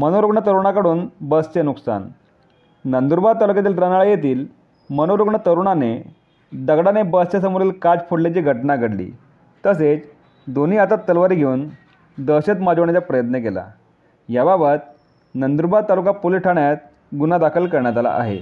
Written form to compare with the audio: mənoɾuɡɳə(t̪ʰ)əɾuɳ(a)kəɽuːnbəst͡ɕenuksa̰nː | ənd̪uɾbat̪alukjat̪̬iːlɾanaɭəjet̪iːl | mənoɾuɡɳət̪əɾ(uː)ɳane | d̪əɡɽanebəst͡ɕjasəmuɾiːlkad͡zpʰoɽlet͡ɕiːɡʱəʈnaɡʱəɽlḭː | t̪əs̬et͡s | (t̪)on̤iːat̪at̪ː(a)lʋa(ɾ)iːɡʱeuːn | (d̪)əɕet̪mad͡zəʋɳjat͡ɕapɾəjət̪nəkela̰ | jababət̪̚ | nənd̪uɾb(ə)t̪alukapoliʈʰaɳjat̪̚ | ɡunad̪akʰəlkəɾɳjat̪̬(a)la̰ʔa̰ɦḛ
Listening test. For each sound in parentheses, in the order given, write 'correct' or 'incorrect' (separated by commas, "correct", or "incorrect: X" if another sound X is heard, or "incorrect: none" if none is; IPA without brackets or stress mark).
incorrect: t̪, correct, incorrect: u, incorrect: d̪, incorrect: ə, correct, correct, incorrect: a, correct